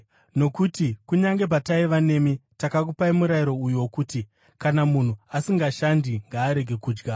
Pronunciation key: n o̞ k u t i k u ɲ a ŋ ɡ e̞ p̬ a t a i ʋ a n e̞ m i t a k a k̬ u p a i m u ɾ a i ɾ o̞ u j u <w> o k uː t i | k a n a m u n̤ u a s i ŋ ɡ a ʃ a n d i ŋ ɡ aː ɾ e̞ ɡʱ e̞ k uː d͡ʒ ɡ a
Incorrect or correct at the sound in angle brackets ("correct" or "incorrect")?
correct